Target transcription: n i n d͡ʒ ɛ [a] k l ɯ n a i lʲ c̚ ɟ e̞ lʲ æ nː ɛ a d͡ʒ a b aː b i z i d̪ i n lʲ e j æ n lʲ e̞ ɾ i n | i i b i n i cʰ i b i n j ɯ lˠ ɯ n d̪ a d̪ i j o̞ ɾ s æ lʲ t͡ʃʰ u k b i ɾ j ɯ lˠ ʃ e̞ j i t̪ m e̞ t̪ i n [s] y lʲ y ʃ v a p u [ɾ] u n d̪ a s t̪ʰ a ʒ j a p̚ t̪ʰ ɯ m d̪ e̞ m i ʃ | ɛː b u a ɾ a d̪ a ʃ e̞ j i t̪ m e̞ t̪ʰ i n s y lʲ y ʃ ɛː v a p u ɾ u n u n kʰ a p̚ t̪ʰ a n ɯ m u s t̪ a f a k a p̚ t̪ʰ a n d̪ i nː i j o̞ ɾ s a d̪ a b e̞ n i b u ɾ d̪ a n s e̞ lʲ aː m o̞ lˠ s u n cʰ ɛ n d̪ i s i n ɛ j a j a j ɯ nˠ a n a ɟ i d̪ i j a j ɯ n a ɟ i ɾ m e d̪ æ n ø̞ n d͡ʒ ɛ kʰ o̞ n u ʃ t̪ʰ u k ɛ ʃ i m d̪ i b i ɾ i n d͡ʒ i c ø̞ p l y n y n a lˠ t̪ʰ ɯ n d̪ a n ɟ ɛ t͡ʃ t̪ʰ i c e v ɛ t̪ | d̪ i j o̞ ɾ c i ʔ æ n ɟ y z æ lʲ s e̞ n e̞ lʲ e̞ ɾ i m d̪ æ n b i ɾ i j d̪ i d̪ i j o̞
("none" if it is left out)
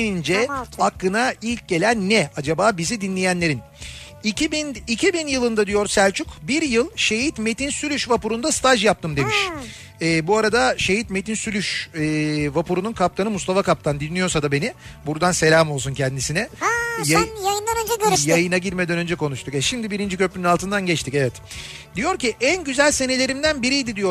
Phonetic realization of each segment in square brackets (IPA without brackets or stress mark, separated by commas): a, s, ɾ